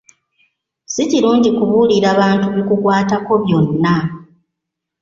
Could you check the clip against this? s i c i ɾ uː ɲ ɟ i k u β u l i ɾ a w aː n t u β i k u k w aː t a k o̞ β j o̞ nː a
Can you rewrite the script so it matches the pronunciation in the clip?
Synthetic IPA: s i c i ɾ uː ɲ ɟ i k u β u l i ɾ a β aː n t u β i k u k w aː t a k o̞ β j o̞ nː a